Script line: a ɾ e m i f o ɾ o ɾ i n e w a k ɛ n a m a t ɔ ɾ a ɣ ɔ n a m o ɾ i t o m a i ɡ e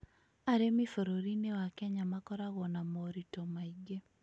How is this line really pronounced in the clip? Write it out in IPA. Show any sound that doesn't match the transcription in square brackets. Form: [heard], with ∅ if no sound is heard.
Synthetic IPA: a ɾ e m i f o ɾ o ɾ i n e w a k ɛ [ɲ] a m a [k] ɔ ɾ a ɣ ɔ n a m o ɾ i t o m a i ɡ e